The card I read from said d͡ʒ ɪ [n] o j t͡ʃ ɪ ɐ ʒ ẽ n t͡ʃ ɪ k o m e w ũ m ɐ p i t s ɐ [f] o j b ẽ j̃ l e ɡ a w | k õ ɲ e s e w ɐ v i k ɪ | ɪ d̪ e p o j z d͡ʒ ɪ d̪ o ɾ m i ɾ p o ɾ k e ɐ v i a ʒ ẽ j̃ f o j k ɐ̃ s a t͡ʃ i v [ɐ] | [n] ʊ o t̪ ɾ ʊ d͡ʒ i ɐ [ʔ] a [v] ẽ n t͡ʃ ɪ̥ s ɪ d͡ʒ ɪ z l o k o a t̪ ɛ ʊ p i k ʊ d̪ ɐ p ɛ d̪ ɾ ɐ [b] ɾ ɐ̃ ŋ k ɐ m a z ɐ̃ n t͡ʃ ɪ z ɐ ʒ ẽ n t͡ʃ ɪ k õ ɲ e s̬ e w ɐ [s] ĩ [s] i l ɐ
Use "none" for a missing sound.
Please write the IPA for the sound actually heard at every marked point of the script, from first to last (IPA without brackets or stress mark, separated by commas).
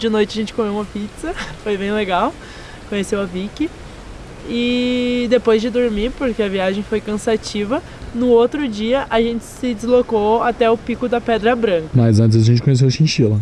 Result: n, f, ɐ, n, ʔ, ʒ, b, ʃ, ʃ